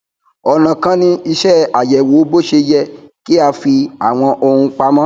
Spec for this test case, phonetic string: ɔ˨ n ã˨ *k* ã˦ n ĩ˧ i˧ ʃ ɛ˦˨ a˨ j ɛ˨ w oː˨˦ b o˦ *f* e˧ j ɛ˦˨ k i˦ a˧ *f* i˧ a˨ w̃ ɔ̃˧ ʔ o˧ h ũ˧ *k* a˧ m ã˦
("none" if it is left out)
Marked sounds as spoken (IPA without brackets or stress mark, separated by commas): k, ʃ, f, k͡p